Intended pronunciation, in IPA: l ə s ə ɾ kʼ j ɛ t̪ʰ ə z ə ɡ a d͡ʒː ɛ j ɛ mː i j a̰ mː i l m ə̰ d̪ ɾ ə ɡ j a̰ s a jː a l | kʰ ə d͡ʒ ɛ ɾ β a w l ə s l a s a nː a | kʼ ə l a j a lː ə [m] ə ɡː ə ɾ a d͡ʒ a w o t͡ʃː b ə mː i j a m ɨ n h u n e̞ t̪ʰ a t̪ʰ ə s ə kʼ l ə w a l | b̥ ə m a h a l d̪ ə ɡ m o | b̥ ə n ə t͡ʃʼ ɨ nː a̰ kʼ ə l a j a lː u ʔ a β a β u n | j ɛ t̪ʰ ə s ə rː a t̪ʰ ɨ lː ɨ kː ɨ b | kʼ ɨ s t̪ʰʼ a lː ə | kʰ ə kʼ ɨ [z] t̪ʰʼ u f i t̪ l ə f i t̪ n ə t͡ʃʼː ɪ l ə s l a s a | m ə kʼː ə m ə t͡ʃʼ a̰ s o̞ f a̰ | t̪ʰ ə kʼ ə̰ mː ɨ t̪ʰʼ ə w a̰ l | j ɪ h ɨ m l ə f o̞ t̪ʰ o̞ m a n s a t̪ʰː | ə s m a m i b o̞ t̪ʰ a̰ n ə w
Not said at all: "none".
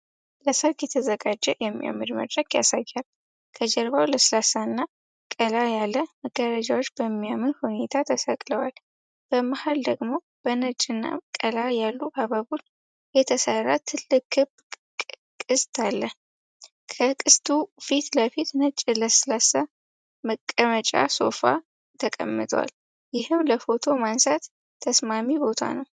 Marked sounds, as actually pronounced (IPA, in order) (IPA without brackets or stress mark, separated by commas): m, s